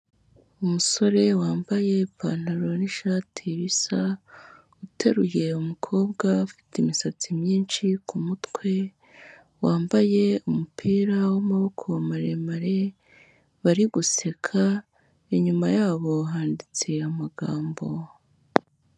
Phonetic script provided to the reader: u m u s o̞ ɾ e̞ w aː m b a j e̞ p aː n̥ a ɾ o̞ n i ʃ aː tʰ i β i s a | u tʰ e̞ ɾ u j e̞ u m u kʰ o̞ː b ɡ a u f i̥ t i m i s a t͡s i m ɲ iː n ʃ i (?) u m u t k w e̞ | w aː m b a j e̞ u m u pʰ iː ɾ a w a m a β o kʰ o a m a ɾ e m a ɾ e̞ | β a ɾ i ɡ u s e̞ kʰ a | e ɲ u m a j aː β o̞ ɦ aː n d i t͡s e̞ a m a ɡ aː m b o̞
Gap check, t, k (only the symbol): k